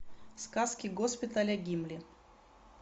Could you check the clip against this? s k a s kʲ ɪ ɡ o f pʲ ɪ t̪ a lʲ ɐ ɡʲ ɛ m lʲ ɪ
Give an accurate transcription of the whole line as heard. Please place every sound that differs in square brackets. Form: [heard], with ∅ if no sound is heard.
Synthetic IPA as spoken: s k a s kʲ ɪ ɡ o [s] pʲ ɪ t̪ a lʲ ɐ ɡʲ [i] m lʲ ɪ